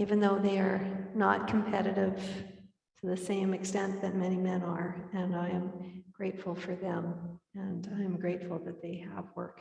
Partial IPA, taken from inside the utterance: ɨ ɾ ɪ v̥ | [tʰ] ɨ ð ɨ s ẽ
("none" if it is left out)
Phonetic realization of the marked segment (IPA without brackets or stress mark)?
tʰ